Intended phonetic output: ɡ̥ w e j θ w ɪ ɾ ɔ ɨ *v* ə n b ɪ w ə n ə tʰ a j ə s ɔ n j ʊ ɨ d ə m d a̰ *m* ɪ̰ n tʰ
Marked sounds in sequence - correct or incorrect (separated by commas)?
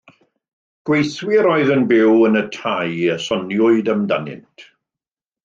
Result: incorrect, incorrect